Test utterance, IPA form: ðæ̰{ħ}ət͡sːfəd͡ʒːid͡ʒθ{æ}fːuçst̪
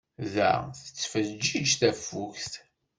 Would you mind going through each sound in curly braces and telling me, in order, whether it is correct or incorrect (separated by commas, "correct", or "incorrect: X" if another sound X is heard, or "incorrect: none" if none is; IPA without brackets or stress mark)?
incorrect: θ, correct